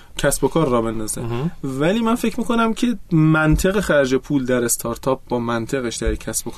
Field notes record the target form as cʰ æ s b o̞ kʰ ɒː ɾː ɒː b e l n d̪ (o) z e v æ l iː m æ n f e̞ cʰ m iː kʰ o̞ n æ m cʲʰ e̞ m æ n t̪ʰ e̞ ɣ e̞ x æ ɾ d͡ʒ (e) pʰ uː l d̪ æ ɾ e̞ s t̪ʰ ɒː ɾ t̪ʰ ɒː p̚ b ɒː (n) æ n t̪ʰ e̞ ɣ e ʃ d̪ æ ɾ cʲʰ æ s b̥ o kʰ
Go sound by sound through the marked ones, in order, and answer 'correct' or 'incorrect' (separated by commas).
incorrect, correct, incorrect